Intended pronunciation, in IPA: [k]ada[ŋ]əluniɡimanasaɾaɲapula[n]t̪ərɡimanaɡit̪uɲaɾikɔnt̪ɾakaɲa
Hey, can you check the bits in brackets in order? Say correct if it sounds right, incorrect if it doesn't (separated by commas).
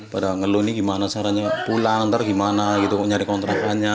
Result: incorrect, correct, incorrect